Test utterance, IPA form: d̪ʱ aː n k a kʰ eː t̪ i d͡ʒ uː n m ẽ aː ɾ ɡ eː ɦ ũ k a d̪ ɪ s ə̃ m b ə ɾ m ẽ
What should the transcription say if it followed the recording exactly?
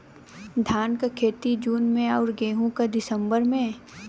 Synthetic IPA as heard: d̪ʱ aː n k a kʰ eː t̪ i d͡ʒ uː n m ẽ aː ɾ ɡ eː ɦ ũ k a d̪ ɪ s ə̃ m b ə ɾ m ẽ